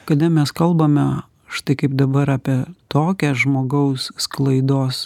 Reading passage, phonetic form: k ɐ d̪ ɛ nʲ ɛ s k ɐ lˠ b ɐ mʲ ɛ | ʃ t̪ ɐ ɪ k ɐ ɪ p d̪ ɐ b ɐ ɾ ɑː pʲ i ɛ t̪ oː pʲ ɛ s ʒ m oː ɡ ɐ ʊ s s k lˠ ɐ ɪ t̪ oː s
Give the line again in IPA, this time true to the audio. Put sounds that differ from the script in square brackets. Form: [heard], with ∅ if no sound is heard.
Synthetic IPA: k ɐ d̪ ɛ [mʲ] ɛ s k ɐ lˠ b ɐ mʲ ɛ | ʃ t̪ ɐ ɪ k ɐ ɪ p d̪ ɐ b ɐ ɾ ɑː pʲ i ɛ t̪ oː [kʲ] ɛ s ʒ m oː ɡ ɐ ʊ s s k lˠ ɐ ɪ [d̪] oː s